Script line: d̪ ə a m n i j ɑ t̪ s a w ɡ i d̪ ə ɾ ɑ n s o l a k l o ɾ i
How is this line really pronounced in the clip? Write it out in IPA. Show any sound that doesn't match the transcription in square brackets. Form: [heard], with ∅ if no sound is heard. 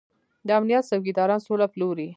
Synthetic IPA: d̪ ə a m n i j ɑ t̪ s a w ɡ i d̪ [ɑ] ɾ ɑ n s o l a [p] l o ɾ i